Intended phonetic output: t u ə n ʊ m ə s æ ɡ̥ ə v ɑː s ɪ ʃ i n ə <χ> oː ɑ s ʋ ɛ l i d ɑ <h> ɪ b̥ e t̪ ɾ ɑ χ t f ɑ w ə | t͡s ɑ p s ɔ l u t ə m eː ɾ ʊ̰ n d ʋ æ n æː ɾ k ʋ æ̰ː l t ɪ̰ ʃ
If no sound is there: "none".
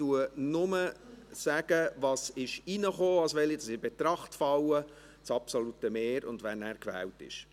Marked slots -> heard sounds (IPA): χ, s

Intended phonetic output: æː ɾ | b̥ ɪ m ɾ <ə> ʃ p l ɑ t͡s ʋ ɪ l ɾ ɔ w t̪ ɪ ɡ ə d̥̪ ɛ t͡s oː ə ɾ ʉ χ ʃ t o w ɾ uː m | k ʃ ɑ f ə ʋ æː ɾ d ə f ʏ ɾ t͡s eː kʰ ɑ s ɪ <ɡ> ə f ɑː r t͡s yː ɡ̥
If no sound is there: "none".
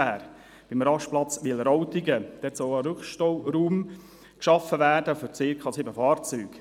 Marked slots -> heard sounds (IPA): ɑ, b

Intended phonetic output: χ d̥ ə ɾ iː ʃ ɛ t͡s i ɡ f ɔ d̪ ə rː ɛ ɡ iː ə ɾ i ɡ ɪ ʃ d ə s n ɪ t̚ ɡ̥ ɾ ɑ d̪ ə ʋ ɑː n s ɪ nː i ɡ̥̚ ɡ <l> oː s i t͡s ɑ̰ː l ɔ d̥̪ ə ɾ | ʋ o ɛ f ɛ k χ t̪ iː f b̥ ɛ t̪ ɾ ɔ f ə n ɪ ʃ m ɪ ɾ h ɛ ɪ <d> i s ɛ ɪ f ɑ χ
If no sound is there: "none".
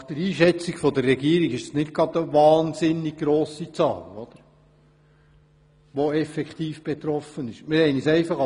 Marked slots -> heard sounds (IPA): ɾ, n

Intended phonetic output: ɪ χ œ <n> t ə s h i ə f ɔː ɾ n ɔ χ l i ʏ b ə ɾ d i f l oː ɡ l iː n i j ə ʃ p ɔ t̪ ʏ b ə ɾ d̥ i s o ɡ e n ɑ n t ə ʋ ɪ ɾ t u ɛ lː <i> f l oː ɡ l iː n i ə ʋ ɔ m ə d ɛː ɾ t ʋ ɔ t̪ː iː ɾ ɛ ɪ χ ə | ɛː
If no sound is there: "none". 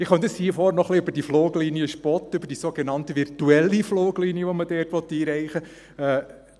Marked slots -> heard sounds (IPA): n, i

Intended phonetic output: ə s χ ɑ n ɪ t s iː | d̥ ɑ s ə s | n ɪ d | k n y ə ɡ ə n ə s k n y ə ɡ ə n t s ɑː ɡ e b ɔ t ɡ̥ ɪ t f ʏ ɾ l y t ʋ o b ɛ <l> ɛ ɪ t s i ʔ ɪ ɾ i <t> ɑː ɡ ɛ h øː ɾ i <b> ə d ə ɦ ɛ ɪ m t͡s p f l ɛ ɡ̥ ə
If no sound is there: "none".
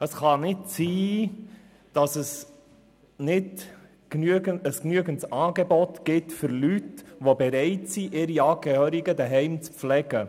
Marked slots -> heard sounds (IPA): ɾ, none, ɡ

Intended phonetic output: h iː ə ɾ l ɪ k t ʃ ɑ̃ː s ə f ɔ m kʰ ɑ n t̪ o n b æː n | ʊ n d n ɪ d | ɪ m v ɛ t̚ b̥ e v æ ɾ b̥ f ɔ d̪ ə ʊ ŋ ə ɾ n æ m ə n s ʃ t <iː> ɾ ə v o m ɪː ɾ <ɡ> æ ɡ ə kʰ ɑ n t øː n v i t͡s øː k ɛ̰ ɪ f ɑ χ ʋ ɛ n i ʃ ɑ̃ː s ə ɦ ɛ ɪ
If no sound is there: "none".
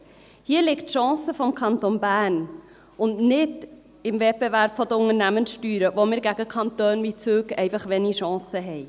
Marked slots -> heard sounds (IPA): yː, ɡ

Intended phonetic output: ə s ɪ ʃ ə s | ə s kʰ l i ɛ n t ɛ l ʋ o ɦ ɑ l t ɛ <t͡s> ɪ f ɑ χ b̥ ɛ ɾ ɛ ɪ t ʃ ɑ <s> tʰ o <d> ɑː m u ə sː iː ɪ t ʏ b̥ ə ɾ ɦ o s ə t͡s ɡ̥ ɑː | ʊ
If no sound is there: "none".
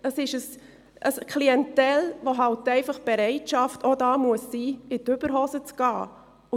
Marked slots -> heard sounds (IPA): none, f, d

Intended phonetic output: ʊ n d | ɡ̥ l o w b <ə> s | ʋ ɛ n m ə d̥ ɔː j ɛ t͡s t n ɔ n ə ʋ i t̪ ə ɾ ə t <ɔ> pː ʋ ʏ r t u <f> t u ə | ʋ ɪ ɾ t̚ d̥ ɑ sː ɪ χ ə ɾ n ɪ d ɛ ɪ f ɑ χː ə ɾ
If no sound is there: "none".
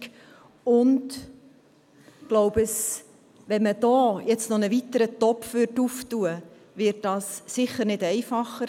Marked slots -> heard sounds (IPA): ə, ɔ, f

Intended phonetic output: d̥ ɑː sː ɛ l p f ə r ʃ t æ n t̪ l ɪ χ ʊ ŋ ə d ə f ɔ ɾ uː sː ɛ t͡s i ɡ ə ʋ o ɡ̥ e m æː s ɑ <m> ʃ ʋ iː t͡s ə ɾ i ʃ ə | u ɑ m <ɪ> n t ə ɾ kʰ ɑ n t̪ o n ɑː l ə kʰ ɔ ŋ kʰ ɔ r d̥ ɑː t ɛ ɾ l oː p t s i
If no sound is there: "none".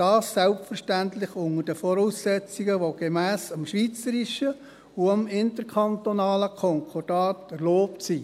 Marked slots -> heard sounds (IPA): m, ɪ

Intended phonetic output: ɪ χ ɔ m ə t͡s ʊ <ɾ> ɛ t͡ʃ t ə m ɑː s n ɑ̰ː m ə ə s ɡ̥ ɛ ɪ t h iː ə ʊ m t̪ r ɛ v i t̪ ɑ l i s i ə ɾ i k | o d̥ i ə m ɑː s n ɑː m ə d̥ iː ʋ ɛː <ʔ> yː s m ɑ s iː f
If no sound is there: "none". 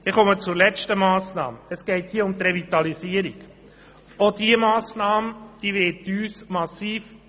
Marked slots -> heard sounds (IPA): l, t

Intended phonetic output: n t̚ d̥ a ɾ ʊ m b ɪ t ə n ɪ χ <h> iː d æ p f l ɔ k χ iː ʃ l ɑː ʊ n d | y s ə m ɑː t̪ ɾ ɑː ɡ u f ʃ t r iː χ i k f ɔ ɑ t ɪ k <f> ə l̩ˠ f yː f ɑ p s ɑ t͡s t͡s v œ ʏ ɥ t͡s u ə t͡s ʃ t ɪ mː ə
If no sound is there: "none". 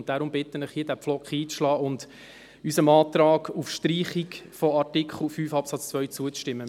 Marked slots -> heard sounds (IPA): h, χ

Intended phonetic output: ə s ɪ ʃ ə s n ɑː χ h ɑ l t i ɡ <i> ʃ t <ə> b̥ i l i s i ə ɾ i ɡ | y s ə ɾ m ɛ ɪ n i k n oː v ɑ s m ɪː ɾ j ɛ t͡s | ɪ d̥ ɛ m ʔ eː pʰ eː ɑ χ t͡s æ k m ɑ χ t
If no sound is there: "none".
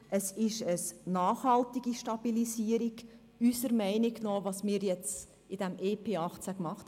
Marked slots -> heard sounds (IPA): i, ɑ

